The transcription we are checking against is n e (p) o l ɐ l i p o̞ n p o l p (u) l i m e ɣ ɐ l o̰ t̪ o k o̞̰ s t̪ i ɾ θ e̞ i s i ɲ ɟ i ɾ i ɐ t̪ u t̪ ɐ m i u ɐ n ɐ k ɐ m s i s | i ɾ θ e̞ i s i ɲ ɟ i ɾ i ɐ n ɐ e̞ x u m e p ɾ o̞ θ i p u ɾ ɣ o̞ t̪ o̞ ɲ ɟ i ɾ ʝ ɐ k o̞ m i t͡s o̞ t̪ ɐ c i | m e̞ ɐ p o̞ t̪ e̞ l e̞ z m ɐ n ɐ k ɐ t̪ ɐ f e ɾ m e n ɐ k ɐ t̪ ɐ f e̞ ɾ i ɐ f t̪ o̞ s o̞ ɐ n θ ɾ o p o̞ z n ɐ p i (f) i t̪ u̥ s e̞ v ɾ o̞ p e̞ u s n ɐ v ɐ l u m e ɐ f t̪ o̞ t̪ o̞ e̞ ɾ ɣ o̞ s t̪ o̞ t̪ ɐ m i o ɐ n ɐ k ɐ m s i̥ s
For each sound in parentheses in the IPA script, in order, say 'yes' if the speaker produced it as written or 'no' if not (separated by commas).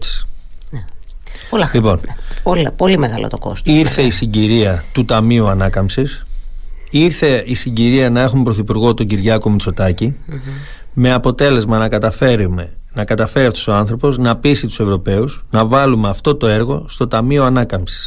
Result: yes, no, no